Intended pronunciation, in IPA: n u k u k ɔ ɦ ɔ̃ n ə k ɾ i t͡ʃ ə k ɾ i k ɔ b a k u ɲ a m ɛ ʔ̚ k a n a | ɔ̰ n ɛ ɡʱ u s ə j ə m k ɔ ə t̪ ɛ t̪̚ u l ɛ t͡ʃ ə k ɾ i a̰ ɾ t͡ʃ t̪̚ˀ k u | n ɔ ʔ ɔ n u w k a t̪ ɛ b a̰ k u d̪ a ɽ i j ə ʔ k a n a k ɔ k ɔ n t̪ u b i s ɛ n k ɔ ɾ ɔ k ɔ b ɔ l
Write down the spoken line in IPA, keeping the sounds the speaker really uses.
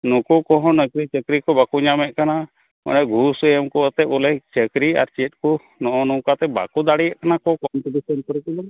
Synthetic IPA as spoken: n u k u k ɔ ɦ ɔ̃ n ə k ɾ i t͡ʃ ə k ɾ i k ɔ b a k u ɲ a m ɛ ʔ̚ k a n a | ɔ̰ n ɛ ɡʱ u s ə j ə m k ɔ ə t̪ ɛ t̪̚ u l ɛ t͡ʃ ə k ɾ i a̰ ɾ t͡ʃ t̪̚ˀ k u | n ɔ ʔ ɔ n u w k a t̪ ɛ b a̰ k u d̪ a ɽ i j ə ʔ k a n a k ɔ k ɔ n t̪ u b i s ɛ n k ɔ ɾ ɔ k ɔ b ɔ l